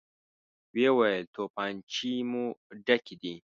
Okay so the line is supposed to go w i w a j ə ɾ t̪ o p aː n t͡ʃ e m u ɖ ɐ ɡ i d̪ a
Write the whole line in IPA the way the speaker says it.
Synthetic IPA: w e w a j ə l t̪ o p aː n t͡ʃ i m u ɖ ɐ k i d̪ i